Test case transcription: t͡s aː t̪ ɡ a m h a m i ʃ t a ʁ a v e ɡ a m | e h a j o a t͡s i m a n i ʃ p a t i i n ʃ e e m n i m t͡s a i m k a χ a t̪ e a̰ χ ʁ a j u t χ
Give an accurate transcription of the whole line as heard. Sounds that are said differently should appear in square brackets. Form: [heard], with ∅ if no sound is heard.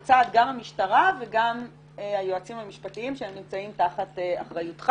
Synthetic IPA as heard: t͡s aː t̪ ɡ a m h a m i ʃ t a ʁ a v e ɡ a m | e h a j o a t͡s i m a [m] i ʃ p a t i i [m] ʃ e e m n i m t͡s a i m [t] a χ a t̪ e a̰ χ ʁ a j u t χ